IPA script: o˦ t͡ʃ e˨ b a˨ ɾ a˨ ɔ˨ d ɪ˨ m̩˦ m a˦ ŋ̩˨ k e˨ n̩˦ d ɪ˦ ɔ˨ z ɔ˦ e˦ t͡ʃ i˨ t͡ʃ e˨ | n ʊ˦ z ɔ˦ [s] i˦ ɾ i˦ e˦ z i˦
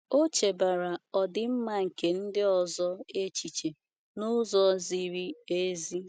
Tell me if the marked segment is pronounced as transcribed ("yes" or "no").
no